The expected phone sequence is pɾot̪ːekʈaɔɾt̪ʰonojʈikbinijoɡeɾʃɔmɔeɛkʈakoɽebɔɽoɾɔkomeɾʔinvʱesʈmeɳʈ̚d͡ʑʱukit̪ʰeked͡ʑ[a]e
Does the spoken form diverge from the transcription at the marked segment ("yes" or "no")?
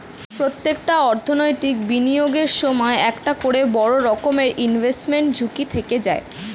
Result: no